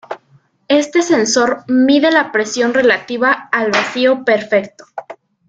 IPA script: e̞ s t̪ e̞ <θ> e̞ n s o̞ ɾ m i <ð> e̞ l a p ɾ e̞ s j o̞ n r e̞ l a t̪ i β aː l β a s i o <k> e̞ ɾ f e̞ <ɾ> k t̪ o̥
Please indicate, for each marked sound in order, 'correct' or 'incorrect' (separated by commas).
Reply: incorrect, correct, incorrect, incorrect